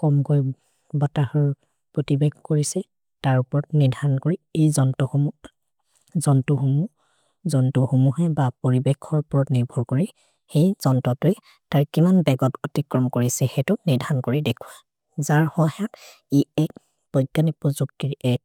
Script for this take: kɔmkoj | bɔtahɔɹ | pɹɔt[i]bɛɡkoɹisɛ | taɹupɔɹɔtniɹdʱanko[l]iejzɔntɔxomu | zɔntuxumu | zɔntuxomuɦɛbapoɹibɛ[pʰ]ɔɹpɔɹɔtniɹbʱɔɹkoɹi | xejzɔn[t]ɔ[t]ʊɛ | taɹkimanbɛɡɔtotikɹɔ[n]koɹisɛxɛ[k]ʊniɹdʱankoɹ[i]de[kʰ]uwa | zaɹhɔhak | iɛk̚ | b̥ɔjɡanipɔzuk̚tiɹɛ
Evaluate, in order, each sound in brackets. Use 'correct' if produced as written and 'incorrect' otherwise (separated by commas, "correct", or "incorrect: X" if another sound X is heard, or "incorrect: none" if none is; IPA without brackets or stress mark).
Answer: correct, incorrect: ɹ, incorrect: kʰ, correct, correct, incorrect: m, incorrect: t, correct, correct